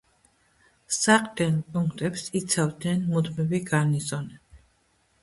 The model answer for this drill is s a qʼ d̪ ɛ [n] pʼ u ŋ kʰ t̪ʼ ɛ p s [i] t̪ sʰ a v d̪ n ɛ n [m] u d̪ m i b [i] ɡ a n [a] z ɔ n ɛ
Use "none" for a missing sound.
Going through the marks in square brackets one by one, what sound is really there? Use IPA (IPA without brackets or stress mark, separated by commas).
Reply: n, i, m, i, i